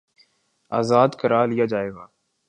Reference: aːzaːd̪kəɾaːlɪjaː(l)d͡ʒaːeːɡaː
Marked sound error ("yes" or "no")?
yes